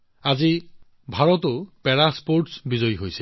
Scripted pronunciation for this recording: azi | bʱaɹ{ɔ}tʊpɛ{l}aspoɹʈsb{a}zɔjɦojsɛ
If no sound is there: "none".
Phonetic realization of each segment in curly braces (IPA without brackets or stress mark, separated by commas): ɔ, ɹ, i